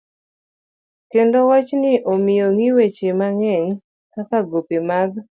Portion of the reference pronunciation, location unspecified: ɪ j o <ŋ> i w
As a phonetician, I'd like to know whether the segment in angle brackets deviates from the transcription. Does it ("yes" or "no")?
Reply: no